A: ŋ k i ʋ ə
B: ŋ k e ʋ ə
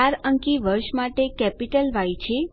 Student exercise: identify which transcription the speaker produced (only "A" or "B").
A